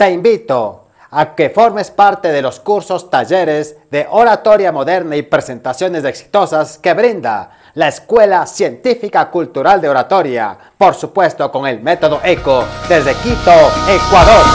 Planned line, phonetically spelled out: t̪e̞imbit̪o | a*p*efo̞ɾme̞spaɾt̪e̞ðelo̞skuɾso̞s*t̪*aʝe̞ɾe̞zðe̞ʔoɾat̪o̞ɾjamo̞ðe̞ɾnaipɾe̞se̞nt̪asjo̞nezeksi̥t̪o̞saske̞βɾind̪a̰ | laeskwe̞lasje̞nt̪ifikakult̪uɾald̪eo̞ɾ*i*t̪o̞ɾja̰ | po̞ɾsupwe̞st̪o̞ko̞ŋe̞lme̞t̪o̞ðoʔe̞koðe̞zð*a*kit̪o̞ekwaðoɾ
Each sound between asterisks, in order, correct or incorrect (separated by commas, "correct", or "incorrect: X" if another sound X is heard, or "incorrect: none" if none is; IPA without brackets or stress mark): incorrect: k, correct, incorrect: a, incorrect: e